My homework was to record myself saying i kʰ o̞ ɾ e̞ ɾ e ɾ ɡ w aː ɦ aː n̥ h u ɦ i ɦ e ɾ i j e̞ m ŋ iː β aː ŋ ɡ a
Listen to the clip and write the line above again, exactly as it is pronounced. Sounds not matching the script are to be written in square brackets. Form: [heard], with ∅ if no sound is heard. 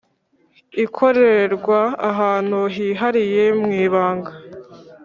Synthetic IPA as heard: i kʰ o̞ ɾ e̞ ɾ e ɾ ɡ w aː ɦ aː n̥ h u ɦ i ɦ [a] ɾ i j e̞ m ŋ iː β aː ŋ ɡ a